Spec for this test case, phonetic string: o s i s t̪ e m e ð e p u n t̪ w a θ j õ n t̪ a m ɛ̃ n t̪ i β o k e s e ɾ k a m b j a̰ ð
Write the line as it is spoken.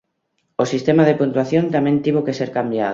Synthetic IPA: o s i s t̪ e m a ð e p u n t̪ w a θ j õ n t̪ a m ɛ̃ n t̪ i β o k e s e ɾ k a m b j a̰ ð